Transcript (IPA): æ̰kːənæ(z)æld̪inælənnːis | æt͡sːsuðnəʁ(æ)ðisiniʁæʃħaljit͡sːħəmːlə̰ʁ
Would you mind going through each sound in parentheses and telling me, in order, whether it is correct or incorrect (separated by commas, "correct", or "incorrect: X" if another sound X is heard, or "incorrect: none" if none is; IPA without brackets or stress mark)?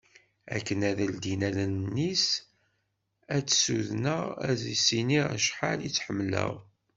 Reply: incorrect: ð, correct